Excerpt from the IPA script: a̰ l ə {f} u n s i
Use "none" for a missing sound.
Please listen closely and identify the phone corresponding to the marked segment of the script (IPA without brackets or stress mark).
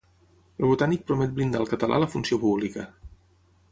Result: f